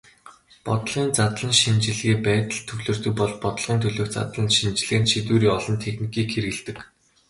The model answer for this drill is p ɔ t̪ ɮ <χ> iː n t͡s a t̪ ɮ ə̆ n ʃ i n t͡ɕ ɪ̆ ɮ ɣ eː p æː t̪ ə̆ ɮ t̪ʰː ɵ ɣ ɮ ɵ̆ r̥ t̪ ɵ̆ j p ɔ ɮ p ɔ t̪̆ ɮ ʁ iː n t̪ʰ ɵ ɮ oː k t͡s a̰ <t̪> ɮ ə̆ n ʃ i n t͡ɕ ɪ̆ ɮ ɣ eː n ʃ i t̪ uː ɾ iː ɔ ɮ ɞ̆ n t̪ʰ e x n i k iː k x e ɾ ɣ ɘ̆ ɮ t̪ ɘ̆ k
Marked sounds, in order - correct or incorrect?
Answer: incorrect, correct

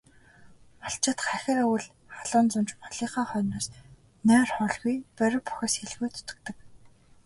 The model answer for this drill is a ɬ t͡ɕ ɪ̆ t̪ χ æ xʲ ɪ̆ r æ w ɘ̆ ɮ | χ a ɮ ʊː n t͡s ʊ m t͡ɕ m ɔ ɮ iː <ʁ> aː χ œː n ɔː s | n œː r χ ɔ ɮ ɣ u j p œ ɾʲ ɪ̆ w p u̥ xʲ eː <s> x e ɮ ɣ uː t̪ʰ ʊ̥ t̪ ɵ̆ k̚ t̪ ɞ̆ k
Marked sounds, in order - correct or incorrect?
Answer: incorrect, correct

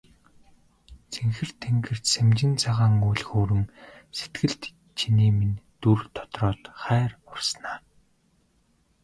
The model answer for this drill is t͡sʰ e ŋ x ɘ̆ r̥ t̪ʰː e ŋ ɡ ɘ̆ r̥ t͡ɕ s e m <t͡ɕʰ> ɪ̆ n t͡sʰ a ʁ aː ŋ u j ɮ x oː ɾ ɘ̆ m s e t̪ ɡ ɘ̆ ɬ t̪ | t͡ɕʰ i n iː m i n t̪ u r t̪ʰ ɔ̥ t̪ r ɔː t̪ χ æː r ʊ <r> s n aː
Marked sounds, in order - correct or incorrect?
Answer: incorrect, correct

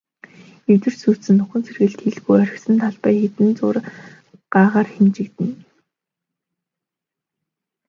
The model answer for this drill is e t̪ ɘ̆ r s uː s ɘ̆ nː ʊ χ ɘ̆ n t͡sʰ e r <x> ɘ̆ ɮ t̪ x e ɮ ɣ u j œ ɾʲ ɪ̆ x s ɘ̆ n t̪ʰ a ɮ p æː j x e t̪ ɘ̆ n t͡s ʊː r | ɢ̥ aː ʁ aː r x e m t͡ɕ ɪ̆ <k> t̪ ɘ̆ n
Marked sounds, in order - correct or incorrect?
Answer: incorrect, correct

